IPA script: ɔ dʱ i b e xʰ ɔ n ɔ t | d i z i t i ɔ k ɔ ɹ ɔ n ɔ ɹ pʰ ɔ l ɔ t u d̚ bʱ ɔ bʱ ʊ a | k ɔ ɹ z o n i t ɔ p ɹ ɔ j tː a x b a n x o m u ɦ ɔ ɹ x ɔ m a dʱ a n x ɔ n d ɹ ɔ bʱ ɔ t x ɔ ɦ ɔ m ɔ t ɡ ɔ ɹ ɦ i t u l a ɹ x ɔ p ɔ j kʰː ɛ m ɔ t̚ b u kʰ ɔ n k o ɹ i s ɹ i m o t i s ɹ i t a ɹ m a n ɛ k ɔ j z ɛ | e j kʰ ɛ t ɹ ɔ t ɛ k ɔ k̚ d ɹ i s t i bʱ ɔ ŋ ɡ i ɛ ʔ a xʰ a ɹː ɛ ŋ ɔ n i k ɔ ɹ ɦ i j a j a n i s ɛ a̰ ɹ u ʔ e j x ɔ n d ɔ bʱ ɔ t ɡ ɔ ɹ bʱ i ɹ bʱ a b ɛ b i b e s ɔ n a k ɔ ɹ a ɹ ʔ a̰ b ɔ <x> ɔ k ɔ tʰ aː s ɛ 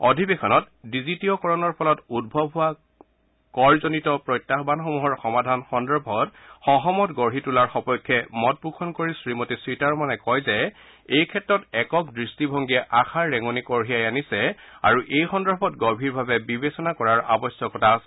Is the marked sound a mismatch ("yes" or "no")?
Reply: yes